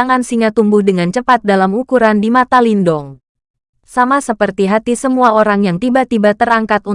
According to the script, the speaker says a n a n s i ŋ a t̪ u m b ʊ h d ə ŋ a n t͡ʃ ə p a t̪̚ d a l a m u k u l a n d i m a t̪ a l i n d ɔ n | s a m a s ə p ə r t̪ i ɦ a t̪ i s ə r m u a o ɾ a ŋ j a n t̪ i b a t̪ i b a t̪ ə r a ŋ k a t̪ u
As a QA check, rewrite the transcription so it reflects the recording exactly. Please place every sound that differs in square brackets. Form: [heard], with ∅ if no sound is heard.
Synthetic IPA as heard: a [ŋ] a n s i ŋ a t̪ u m b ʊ h d ə ŋ a n t͡ʃ ə p a t̪̚ d a l a m u k u [ɾ] a n d i m a t̪ a l i n d ɔ [ŋ] | s a m a s ə p ə r t̪ i ɦ a t̪ i s ə [∅] m u a o ɾ a ŋ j a [ŋ] t̪ i b a t̪ i b a t̪ ə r a ŋ k a t̪ u